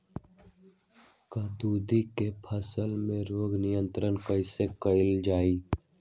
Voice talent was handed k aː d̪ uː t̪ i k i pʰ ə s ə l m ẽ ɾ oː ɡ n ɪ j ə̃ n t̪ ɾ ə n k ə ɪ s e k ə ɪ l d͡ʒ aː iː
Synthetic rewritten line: k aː d̪ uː d̪ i k e pʰ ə s ə l m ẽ ɾ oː ɡ n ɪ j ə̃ n t̪ ɾ ə n k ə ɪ s e k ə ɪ l d͡ʒ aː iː